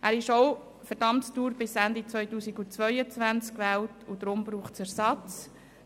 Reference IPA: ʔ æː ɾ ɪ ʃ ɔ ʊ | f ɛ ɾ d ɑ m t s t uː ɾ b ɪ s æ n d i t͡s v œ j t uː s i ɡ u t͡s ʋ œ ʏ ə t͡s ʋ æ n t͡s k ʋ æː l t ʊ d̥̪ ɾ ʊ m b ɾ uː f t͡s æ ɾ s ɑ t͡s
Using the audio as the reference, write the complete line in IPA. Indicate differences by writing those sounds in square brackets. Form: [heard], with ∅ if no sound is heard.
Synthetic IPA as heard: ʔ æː ɾ ɪ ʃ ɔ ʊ | f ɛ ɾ d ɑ m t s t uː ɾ b ɪ s æ n d i t͡s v œ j t uː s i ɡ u t͡s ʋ œ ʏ ə t͡s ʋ æ n t͡s k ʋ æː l t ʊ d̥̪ ɾ ʊ m b ɾ uː [χ] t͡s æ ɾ s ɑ t͡s